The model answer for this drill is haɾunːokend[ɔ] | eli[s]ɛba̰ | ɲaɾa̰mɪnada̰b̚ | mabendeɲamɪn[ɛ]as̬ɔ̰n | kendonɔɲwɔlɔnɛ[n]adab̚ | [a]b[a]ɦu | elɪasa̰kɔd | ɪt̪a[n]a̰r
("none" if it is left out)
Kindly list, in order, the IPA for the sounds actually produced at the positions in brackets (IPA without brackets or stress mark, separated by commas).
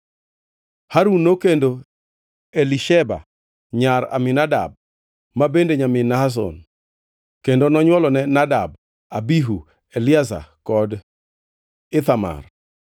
o, ʃ, a, n, a, i, m